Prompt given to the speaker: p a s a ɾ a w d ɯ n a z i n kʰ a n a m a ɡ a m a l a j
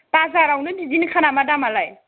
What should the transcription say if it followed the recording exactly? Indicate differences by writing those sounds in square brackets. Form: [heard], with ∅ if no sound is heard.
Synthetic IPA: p a [z] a ɾ a w [n] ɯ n [i] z i n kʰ a n a m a [d] a m a l a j